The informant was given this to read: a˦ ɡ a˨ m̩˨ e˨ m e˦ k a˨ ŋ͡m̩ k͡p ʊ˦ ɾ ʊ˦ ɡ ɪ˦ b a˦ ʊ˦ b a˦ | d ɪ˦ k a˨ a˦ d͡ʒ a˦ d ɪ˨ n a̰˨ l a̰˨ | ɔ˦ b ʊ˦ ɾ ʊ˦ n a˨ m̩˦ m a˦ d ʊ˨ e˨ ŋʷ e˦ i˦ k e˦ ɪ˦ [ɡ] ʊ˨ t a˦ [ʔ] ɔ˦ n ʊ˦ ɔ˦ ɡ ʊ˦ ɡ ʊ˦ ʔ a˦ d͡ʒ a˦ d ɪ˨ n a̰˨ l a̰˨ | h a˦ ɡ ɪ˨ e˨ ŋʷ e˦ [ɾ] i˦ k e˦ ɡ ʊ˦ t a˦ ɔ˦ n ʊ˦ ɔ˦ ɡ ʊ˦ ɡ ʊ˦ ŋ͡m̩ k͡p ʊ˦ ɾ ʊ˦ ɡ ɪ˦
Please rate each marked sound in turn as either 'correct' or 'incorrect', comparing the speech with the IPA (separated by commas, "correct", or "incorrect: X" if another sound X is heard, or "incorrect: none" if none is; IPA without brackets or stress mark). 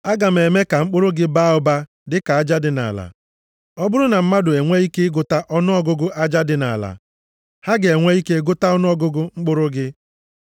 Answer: correct, correct, incorrect: none